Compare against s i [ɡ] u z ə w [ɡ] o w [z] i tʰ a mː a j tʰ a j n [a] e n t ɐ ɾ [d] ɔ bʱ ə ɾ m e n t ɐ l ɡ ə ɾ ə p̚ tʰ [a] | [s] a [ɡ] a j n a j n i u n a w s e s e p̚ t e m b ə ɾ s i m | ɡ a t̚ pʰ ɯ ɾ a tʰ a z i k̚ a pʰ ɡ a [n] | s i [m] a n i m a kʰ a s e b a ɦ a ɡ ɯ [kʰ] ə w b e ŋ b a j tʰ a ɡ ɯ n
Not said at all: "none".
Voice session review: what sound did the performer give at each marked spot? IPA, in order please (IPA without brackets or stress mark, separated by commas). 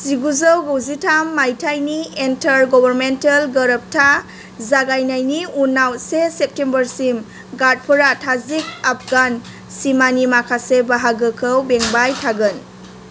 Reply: ɡ, ɡ, z, i, ɡ, a, z, ɡ, n, m, kʰ